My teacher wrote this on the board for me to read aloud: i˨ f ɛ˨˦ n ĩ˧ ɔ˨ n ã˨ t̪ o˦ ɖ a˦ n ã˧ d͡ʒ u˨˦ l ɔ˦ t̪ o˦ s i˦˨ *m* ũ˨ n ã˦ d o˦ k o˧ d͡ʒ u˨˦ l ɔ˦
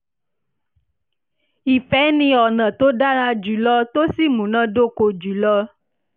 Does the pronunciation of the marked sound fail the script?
no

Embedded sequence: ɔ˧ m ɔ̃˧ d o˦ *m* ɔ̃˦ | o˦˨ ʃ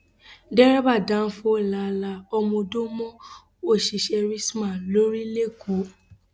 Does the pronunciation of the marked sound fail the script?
no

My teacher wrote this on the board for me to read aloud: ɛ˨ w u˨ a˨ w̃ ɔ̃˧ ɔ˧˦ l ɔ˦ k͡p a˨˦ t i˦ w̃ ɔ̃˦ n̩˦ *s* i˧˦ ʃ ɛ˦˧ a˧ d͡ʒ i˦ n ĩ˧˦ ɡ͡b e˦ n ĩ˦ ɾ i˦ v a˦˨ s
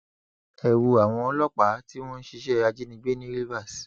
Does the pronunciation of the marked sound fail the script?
yes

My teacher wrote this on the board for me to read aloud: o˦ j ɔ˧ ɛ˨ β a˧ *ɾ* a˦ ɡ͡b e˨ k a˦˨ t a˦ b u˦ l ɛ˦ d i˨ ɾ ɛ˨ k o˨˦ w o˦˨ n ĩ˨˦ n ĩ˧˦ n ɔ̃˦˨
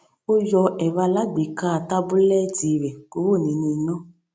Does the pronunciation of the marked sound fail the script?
yes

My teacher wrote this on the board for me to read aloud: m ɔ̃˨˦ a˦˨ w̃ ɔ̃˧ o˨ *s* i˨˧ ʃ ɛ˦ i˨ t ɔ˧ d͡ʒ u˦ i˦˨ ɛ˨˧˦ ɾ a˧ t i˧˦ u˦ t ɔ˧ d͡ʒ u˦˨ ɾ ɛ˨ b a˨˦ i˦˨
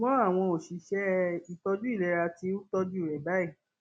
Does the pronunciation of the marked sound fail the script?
yes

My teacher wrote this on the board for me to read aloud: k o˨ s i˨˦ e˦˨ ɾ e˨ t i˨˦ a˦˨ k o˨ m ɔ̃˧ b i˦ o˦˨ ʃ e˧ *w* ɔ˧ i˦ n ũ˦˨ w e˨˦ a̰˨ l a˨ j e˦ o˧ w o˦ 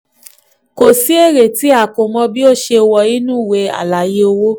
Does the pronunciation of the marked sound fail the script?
no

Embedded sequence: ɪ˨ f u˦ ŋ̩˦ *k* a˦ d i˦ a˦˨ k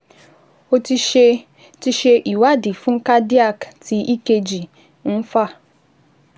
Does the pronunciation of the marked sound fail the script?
no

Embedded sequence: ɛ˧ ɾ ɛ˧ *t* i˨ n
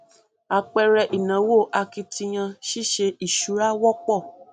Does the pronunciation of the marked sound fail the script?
yes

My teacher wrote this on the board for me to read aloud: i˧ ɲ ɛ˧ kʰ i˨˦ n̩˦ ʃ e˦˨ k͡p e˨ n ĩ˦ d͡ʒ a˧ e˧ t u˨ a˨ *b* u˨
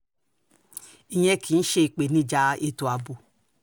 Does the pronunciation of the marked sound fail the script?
no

